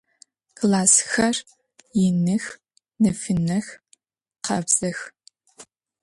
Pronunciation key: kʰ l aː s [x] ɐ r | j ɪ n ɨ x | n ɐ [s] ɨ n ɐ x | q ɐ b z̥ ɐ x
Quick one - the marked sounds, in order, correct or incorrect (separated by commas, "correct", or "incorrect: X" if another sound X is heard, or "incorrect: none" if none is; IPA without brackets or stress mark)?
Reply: correct, incorrect: f